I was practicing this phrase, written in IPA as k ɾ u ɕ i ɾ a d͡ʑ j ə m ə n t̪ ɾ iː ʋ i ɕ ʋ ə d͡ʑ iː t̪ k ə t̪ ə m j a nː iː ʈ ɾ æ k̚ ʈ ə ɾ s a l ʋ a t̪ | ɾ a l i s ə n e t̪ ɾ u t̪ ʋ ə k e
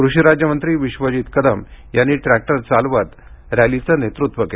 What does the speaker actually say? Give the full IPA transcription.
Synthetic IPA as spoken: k ɾ u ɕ i ɾ a d͡ʑ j ə m ə n t̪ ɾ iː ʋ i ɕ ʋ ə d͡ʑ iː t̪ k ə d̪ ə m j a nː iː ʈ ɾ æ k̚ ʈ ə ɾ t͡s a l ʋ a t̪ | ɾ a l i t͡s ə n e t̪ ɾ u t̪ ʋ ə k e